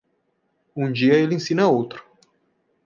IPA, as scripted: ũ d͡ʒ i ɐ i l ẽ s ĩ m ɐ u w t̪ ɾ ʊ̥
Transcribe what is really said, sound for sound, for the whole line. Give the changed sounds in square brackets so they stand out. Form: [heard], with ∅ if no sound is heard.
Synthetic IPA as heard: ũ d͡ʒ i ɐ [e] l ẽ s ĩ [n] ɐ [o] w t̪ ɾ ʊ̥